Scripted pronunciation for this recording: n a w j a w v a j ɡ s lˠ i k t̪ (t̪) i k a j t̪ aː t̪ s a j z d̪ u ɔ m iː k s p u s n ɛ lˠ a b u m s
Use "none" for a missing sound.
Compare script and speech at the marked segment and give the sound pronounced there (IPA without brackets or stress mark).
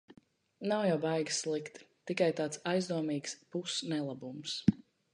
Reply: t̪